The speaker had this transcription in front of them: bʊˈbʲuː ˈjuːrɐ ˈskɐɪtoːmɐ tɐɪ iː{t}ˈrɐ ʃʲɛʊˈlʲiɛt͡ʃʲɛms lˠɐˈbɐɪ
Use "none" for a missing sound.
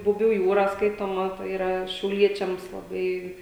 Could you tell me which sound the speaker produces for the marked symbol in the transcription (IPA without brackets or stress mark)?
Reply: none